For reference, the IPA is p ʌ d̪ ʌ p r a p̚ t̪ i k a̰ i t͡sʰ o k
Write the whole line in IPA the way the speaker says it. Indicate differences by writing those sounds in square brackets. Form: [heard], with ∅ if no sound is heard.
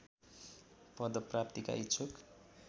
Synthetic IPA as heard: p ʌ d̪ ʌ p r a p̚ t̪ i k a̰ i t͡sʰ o k